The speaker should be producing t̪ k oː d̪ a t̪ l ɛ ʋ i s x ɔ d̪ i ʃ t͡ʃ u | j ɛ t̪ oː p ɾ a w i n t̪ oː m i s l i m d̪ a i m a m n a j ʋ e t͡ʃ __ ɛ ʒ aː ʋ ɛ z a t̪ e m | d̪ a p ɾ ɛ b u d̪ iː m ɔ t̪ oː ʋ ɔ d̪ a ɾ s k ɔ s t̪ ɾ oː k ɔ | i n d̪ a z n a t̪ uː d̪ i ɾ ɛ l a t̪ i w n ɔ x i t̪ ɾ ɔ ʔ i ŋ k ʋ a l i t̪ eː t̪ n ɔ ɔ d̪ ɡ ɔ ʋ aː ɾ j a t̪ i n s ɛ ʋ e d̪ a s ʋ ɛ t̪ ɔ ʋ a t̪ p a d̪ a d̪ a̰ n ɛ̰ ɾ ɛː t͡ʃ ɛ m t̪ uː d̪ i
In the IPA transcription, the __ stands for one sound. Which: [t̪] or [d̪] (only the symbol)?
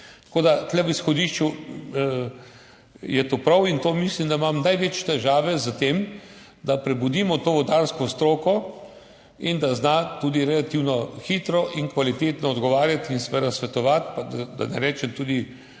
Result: t̪